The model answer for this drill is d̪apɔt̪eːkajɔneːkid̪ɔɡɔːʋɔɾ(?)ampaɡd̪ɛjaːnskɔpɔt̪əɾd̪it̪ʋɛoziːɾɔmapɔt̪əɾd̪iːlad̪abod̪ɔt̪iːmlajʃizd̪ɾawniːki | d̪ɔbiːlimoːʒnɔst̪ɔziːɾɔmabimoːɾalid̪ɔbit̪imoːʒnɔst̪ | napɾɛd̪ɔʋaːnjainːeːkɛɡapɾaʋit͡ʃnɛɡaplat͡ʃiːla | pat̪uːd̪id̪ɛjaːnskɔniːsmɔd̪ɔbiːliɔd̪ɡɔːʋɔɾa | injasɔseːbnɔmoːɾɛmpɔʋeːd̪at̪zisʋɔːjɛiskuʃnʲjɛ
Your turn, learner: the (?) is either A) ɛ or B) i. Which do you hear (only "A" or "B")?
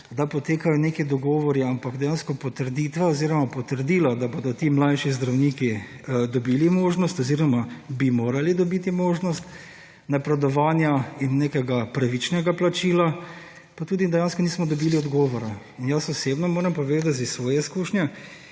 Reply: B